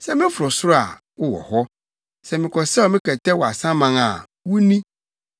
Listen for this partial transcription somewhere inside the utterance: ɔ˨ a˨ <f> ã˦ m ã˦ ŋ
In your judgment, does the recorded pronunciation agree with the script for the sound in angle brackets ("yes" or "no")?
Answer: no